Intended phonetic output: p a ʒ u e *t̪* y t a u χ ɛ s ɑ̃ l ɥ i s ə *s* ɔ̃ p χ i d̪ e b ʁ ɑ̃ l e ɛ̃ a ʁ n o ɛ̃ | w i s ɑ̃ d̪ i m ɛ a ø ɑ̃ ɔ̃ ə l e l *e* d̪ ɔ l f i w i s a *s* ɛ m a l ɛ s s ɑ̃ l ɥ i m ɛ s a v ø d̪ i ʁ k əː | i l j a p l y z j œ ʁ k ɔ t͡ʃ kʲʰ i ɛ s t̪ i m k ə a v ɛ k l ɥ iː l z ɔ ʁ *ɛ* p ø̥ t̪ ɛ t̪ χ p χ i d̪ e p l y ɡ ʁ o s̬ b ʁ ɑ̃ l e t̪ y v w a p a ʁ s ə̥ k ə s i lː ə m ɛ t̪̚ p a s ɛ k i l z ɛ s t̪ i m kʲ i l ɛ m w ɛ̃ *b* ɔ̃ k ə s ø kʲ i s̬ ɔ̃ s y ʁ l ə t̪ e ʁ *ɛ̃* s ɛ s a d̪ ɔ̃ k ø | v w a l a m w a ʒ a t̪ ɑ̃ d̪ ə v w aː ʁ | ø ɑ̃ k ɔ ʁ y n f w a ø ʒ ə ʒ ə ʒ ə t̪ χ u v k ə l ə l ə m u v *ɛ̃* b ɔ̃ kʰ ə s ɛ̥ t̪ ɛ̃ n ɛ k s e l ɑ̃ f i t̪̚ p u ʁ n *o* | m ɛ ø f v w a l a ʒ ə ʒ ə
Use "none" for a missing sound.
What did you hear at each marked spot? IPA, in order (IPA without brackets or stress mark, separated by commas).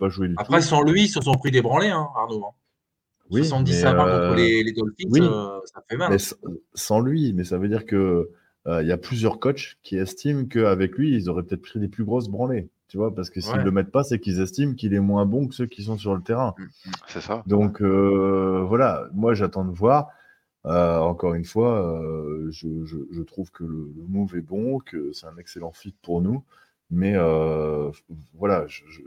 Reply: d̪, s, e, f, ɛ, b, ɛ̃, ɛ, u